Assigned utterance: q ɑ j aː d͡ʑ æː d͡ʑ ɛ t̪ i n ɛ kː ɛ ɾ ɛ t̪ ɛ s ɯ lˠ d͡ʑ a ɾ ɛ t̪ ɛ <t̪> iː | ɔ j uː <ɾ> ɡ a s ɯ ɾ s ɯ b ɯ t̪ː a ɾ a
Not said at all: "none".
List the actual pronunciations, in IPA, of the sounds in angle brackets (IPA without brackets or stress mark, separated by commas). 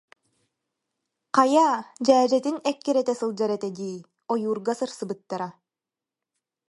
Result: d̪, ɾ